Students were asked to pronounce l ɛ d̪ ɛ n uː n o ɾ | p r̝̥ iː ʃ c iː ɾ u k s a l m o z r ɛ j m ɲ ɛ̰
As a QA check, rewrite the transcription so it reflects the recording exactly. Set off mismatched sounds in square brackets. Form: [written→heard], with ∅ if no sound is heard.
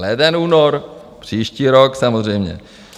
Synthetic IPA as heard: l ɛ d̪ ɛ n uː n o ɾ | p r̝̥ iː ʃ c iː ɾ [u→o] k s a [l→∅] m o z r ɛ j m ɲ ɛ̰